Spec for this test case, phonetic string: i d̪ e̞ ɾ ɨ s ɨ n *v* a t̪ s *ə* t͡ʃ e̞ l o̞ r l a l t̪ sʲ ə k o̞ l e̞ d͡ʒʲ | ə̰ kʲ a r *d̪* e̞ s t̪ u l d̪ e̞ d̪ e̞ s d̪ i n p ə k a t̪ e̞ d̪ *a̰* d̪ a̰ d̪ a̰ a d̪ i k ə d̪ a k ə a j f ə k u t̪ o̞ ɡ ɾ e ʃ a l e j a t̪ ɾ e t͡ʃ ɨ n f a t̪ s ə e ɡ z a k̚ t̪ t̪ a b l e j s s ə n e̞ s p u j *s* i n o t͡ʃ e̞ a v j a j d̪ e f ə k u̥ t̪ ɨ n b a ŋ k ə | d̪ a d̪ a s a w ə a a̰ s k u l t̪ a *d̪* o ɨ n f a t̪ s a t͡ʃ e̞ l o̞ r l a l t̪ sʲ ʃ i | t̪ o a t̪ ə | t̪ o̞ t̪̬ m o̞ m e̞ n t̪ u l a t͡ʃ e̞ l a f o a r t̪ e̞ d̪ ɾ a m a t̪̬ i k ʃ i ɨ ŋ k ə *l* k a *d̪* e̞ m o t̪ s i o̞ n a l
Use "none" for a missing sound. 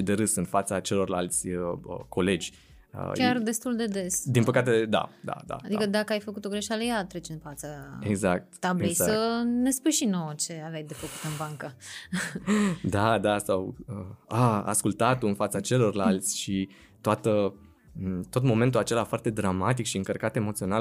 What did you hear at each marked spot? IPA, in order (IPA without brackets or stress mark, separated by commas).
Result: f, a, d̪, a̰, ʃ, t̪, r, t̪